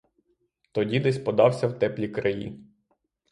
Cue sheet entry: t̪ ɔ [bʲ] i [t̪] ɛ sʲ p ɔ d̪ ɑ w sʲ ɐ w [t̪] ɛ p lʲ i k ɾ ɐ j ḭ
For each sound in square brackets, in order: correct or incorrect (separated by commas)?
incorrect, incorrect, correct